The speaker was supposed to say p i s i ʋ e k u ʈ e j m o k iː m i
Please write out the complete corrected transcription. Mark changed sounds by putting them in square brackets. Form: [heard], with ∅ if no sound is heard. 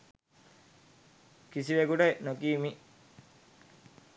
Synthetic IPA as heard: [k] i s i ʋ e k u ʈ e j [n] o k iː m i